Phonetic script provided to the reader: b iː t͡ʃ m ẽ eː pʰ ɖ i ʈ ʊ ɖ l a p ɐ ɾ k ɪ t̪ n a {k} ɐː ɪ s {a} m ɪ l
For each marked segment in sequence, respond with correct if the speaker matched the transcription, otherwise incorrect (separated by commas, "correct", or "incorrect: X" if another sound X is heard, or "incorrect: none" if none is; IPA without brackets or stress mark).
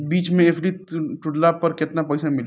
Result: incorrect: p, correct